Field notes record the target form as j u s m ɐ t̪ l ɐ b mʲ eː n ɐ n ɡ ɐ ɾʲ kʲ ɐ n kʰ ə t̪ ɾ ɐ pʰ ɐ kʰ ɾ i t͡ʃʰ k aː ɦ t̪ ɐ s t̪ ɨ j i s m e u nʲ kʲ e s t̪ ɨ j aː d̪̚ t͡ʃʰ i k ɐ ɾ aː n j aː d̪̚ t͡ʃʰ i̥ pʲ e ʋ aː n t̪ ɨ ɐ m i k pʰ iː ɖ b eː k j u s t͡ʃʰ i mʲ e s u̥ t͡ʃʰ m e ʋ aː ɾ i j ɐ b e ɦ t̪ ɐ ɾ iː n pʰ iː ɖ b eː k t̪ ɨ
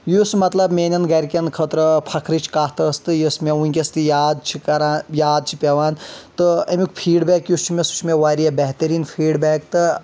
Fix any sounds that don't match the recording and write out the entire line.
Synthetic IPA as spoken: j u s m ɐ t̪ l ɐ b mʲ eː n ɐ n ɡ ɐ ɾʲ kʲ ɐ n kʰ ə t̪ ɾ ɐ pʰ ɐ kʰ ɾ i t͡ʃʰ k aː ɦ t̪ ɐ s t̪ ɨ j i s m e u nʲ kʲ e s t̪ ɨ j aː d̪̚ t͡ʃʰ i k ɐ ɾ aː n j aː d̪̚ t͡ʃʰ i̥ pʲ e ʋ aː n t̪ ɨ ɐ m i k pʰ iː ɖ b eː k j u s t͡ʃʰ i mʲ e s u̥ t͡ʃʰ m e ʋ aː ɾ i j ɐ b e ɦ t̪ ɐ ɾ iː n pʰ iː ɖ b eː k t̪ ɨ